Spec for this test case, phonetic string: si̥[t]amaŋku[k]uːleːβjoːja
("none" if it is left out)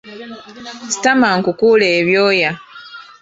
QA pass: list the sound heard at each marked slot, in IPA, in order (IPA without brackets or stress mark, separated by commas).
t, k